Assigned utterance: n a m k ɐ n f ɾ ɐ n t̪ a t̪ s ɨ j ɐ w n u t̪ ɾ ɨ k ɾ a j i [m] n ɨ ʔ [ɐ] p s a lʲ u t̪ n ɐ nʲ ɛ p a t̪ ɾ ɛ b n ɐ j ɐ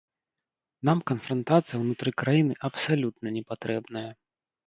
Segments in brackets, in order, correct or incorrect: incorrect, correct

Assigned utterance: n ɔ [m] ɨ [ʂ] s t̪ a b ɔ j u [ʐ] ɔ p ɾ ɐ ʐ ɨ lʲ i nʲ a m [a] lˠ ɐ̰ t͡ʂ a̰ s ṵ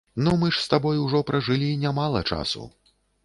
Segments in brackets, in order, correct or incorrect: correct, correct, correct, correct

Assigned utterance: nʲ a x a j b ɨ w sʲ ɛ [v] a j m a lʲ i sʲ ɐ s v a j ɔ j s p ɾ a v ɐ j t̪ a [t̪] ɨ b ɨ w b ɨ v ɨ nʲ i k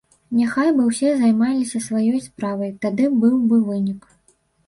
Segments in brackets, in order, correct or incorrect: incorrect, incorrect

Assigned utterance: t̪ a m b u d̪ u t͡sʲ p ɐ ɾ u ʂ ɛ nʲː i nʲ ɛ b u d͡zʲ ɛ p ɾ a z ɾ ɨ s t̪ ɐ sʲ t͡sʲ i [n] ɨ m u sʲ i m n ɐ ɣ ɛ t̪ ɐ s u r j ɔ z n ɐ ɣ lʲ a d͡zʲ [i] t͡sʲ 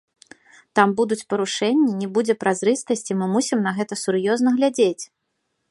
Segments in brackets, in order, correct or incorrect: incorrect, incorrect

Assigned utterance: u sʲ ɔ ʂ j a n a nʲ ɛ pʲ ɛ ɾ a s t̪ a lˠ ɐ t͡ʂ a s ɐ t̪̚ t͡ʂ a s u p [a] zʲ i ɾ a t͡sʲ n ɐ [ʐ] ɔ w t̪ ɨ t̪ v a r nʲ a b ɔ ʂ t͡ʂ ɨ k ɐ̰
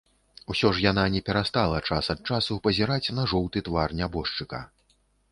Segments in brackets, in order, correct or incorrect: incorrect, correct

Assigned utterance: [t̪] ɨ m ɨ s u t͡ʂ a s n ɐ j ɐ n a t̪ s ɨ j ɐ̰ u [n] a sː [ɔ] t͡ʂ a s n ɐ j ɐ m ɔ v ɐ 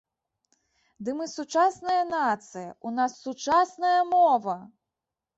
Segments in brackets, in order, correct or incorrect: incorrect, correct, incorrect

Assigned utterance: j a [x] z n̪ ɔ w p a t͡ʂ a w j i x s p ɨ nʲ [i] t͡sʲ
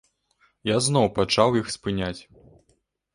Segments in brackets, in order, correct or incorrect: incorrect, incorrect

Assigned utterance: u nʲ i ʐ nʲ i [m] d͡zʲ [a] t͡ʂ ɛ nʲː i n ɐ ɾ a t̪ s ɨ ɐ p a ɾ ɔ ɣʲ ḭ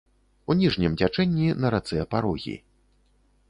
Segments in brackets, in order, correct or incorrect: correct, correct

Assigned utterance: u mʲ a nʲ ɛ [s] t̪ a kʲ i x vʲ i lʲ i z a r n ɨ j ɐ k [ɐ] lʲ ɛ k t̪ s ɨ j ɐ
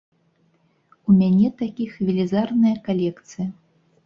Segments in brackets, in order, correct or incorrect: incorrect, incorrect

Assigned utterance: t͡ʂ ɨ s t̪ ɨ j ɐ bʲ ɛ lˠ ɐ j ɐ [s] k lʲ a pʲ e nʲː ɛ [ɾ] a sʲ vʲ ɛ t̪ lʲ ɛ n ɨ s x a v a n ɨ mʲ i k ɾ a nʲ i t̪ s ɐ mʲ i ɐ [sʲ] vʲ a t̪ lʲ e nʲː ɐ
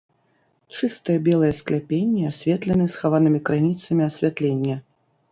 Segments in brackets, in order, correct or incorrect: correct, incorrect, correct

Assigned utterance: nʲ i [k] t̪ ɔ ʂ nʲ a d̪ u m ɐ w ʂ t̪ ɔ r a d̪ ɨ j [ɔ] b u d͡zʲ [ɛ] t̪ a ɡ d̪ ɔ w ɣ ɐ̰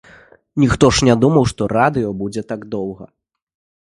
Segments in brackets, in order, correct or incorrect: incorrect, correct, correct

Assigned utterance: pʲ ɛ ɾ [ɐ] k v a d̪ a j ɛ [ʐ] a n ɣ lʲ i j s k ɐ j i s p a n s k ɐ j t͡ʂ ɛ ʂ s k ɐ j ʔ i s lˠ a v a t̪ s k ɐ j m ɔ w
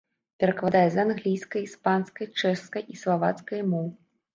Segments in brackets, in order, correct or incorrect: correct, incorrect

